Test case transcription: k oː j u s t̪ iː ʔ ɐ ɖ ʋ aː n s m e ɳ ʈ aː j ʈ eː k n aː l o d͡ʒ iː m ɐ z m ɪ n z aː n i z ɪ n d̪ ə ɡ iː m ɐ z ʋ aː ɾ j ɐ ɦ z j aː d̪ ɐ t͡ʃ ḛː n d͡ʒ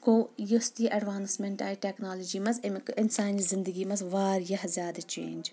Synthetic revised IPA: k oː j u s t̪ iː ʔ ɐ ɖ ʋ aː n s m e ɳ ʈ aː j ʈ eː k n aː l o d͡ʒ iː m ɐ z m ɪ n s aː n i z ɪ n d̪ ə ɡ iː m ɐ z ʋ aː ɾ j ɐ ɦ z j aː d̪ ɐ t͡ʃ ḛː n d͡ʒ